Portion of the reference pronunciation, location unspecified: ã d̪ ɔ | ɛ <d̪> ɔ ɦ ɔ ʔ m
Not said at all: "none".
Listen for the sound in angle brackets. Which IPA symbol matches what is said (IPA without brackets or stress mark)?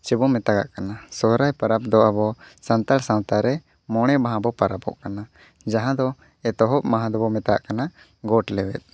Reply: t̪